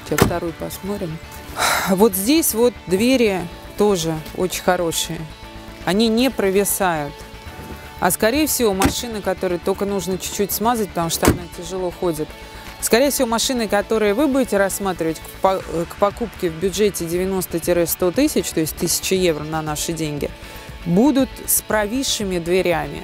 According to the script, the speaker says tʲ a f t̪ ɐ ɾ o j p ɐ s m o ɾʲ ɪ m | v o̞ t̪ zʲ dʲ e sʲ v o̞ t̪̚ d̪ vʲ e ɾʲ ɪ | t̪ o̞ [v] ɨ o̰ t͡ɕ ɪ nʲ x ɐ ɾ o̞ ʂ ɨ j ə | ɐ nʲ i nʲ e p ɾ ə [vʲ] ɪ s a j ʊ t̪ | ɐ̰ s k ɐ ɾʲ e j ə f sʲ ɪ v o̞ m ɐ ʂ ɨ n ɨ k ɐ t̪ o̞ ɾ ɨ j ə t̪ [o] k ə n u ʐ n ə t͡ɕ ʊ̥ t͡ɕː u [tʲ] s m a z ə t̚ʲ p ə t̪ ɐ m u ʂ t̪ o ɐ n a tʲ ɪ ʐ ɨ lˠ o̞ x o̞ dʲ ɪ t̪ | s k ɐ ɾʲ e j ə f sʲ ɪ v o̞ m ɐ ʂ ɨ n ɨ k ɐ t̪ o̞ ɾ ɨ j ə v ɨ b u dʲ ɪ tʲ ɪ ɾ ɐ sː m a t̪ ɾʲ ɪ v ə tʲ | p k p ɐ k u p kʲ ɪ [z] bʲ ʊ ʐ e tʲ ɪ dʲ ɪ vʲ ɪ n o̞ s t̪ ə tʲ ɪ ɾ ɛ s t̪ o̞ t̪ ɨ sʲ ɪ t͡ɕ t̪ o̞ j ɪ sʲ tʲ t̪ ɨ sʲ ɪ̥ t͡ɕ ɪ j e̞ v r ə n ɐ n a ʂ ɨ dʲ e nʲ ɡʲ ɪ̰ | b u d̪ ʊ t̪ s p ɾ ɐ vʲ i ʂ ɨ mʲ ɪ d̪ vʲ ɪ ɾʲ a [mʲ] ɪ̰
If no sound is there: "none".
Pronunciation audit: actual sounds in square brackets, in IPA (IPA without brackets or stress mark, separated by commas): ʐ, vʲ, o, tʲ, v, mʲ